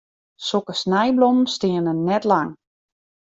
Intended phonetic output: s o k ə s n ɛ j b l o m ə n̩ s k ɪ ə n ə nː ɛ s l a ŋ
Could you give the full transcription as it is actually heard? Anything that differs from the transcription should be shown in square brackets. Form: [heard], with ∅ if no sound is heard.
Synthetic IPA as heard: s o k ə s n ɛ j b l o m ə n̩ s [t] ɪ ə n ə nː ɛ [t] l a ŋ